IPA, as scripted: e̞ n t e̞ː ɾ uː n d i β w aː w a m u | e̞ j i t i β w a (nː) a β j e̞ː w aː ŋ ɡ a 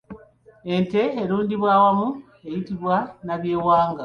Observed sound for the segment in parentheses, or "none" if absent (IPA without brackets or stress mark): n